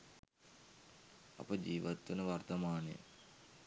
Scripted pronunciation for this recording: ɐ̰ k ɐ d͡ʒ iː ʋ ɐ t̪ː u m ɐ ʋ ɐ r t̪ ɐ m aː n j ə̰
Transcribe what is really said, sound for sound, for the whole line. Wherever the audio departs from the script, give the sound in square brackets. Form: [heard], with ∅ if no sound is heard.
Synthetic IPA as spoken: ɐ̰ [p] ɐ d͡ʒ iː ʋ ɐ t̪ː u [n] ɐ ʋ ɐ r t̪ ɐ m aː n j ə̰